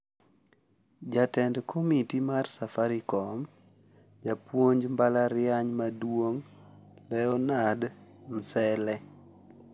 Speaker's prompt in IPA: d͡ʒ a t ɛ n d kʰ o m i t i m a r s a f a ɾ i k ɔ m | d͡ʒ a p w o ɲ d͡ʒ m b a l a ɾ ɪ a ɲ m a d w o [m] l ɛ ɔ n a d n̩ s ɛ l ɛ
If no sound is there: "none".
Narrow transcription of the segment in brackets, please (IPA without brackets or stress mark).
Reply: ŋ